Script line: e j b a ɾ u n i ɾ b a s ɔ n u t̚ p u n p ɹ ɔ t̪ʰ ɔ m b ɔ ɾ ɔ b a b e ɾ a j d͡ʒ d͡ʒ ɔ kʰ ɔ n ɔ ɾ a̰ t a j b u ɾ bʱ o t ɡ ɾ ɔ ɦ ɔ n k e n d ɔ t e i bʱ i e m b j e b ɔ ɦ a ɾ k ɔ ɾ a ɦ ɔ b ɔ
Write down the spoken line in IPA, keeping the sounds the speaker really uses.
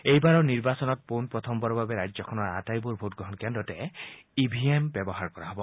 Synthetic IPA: e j b a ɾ ɔ n i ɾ b a s ɔ n ɔ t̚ p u n p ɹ ɔ t̪ʰ ɔ m b ɔ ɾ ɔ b a b e ɾ a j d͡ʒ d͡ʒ ɔ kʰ ɔ n ɔ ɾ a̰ t a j b u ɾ bʱ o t ɡ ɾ ɔ ɦ ɔ n k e n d ɔ t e i bʱ i e m b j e b ɔ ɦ a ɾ k ɔ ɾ a ɦ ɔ b ɔ